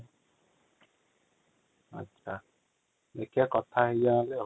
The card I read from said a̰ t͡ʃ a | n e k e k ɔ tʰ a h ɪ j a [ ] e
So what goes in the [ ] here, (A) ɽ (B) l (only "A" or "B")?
B